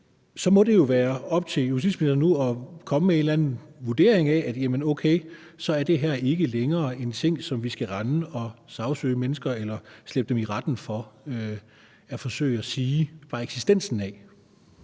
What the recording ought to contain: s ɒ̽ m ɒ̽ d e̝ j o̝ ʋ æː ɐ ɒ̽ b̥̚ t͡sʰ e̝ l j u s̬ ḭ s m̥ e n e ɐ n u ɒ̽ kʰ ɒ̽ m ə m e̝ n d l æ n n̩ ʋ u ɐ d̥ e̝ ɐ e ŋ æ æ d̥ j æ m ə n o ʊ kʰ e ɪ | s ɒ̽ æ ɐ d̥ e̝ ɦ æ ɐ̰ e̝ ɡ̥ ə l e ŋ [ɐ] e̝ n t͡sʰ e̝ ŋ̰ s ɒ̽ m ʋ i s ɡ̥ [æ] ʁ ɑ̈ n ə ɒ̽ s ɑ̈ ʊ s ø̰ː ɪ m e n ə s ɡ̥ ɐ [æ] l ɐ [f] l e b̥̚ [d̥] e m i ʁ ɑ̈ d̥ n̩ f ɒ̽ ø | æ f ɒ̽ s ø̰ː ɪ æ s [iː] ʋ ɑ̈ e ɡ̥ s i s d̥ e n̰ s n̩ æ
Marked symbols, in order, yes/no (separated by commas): no, yes, no, no, yes, yes